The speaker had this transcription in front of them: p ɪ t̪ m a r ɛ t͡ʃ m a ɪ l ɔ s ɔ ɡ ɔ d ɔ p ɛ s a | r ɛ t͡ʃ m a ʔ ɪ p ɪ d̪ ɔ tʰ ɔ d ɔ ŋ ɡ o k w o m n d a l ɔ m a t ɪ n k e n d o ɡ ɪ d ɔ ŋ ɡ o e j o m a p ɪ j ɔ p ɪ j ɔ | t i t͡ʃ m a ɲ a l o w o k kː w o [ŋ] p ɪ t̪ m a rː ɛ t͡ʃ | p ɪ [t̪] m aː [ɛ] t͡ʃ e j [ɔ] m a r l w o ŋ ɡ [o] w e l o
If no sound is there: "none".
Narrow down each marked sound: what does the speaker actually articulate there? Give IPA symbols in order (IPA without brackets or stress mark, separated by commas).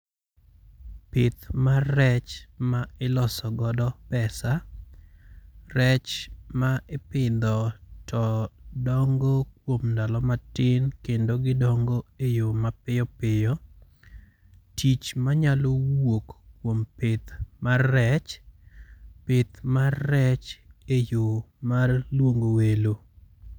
m, t̪, ɛ, o, o